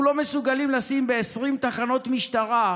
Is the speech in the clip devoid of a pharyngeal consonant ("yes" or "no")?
yes